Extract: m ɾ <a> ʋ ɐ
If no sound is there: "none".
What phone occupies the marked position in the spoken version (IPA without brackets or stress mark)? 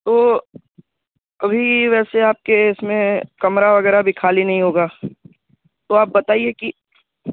a